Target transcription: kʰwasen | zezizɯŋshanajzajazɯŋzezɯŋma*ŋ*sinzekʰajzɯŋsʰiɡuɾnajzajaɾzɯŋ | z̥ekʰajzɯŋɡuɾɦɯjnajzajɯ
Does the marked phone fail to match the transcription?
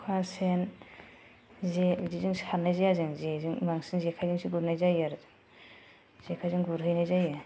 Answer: no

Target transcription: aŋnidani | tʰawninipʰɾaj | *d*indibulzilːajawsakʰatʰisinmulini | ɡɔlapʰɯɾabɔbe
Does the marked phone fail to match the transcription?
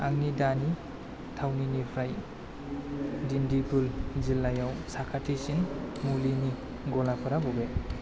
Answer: no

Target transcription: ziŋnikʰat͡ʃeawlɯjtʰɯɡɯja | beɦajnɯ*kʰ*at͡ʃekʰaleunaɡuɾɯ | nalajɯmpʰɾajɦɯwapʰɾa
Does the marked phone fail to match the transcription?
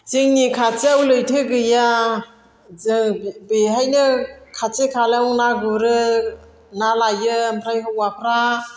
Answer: no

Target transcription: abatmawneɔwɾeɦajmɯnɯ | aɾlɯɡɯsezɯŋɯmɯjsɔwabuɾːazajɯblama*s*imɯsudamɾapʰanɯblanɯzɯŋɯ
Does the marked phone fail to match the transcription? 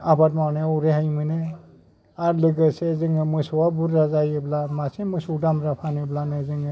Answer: no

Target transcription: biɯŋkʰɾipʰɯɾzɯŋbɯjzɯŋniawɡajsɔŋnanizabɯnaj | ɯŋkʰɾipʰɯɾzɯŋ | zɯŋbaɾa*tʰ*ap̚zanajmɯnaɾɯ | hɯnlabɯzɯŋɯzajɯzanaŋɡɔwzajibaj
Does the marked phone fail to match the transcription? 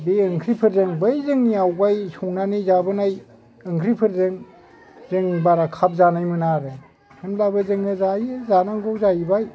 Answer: yes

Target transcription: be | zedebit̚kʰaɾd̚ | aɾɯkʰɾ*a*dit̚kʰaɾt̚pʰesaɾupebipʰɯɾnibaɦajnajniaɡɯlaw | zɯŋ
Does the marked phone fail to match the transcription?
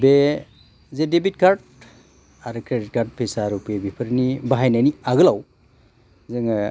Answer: yes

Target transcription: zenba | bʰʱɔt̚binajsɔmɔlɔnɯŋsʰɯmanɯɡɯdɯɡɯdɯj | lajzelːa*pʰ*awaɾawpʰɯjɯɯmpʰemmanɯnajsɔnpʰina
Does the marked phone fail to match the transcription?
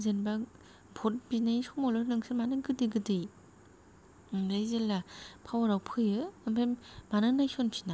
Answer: no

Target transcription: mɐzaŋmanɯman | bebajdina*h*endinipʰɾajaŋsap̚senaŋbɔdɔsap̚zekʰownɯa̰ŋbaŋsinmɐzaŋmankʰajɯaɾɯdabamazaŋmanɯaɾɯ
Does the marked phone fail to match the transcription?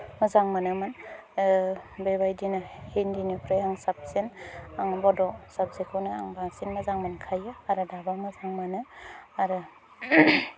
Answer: no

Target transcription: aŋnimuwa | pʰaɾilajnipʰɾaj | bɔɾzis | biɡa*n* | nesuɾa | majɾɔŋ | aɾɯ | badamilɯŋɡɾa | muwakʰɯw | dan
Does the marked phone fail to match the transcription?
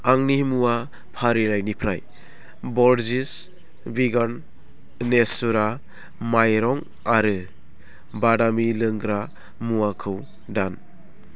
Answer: no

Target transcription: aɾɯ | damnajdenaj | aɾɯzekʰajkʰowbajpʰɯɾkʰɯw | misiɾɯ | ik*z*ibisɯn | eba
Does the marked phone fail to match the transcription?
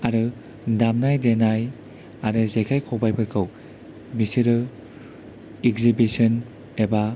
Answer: no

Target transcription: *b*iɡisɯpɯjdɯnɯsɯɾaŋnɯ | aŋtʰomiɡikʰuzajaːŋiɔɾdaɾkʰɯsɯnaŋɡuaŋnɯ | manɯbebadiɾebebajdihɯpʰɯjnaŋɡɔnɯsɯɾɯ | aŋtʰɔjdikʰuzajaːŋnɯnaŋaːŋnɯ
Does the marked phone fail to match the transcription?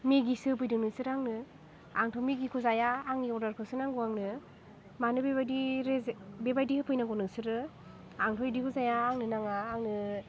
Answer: yes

